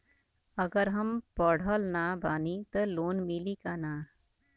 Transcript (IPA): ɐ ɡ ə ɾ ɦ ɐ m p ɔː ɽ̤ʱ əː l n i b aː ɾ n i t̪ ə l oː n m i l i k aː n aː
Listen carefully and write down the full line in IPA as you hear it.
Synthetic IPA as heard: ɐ ɡ ə ɾ ɦ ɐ m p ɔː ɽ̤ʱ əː l n a b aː n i t̪ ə l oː n m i l i k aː n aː